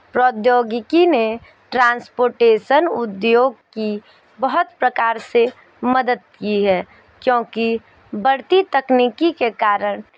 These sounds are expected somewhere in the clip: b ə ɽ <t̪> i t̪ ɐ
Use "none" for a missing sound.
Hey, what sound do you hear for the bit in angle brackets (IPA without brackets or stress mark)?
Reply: t̪